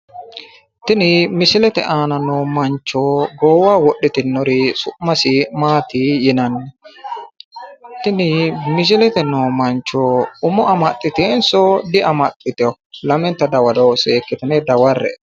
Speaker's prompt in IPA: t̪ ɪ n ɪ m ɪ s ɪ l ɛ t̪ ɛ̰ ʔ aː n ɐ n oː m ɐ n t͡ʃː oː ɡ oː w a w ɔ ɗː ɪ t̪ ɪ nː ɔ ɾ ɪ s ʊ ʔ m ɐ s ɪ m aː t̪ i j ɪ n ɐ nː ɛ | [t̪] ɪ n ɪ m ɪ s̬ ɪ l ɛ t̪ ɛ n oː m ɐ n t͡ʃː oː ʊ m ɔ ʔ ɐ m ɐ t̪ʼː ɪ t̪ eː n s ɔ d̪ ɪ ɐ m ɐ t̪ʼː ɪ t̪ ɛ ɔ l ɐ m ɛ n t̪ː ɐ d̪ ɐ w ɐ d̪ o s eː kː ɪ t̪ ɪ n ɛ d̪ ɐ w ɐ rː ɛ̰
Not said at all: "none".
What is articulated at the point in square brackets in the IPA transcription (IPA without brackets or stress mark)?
t̪